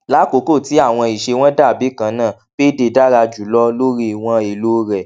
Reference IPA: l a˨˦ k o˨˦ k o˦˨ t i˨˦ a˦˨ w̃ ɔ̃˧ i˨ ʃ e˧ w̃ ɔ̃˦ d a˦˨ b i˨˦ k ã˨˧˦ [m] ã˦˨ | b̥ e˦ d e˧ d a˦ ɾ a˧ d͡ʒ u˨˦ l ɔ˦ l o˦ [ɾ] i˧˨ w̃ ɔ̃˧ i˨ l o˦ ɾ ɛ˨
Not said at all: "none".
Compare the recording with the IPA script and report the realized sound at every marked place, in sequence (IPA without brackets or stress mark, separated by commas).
n, ɾ